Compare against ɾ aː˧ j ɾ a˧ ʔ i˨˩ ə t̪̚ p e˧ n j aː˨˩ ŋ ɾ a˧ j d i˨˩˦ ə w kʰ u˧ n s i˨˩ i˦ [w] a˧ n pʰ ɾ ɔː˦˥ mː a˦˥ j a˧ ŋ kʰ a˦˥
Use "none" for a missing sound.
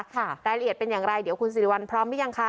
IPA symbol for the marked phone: w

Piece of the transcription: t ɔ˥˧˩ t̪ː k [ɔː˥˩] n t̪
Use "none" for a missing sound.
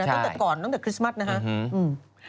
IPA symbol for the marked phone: ɔː˨˩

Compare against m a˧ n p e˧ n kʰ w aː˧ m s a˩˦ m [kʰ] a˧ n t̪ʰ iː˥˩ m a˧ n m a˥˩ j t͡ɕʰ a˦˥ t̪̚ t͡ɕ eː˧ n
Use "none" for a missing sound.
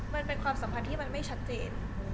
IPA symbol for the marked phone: pʰ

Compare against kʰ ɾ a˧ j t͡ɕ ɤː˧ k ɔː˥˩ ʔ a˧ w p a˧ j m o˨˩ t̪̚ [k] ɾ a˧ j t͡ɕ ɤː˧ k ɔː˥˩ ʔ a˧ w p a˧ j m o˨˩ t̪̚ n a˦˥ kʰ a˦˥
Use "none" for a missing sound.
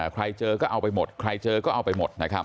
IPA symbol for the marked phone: kʰ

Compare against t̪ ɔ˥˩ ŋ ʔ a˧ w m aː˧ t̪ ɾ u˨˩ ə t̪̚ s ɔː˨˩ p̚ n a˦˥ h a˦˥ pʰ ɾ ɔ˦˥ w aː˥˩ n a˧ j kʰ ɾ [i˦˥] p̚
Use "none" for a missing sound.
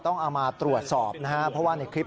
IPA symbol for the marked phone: i˦˥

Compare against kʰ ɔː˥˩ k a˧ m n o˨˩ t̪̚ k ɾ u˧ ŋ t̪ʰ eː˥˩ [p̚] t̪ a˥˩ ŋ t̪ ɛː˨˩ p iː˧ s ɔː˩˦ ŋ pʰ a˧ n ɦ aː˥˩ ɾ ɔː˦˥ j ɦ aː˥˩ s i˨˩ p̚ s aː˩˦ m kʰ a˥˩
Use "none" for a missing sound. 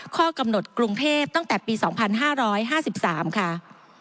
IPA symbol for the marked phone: p̚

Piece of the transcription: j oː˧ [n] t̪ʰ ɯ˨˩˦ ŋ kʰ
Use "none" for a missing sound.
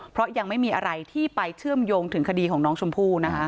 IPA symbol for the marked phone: ŋ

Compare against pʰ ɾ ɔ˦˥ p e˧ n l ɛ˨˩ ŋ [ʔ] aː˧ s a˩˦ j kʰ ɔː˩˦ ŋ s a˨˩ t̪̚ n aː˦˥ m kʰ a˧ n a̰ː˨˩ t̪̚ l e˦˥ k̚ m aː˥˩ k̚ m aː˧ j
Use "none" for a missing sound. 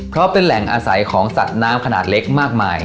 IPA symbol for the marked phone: ʔ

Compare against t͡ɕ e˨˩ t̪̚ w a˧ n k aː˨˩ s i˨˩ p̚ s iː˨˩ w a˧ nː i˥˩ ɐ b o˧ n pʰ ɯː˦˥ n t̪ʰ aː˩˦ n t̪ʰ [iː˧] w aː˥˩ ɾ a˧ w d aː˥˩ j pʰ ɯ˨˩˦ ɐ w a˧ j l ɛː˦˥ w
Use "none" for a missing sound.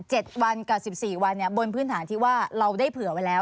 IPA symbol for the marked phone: iː˥˩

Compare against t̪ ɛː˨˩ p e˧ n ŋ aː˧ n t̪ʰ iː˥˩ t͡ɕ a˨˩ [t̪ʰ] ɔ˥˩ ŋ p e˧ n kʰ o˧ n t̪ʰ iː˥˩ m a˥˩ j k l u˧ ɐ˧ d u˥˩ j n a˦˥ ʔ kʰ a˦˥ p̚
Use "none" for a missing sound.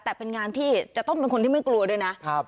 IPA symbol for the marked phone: t̪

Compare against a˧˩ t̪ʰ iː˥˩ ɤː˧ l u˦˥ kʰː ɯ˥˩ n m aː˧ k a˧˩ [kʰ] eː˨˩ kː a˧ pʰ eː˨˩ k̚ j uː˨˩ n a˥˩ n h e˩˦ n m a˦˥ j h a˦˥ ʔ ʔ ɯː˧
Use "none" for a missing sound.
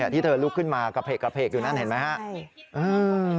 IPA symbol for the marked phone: pʰ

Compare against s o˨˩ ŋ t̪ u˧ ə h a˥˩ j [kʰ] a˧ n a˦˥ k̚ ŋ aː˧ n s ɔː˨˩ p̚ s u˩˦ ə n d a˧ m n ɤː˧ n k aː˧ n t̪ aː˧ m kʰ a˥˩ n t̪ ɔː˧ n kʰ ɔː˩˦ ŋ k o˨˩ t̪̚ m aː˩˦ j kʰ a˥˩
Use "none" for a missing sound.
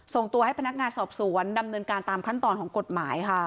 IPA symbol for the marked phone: pʰ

